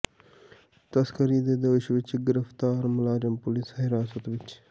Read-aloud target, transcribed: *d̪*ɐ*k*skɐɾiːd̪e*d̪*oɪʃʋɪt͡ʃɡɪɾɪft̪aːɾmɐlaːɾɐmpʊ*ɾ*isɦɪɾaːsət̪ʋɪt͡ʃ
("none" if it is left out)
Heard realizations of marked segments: t̪, none, d̪, l

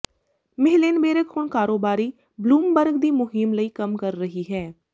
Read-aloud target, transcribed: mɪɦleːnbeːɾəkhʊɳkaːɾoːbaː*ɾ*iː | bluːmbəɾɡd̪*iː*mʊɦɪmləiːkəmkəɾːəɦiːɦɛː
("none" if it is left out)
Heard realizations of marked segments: ɾ, iː

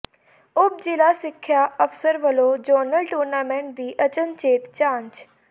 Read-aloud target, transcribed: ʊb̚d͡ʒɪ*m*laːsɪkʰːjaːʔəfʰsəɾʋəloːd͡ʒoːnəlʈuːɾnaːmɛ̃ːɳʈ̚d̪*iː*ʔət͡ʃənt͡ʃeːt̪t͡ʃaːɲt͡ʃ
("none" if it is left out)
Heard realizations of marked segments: none, iː

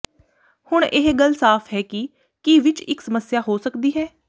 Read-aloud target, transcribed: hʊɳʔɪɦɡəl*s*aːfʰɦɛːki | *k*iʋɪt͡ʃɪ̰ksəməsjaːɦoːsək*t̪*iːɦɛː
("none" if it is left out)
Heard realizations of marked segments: s, k, d̪

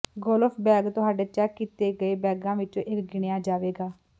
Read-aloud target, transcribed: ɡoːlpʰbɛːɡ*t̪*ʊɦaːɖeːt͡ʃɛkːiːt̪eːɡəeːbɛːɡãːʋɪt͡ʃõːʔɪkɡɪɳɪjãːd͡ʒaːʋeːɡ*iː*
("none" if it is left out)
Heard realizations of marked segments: t̪, aː

